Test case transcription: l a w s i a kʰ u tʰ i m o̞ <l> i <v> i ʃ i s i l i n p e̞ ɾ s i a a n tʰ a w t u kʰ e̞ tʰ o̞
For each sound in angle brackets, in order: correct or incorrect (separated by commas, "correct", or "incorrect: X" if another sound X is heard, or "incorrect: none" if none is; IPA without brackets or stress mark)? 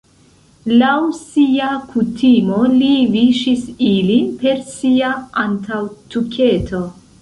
correct, correct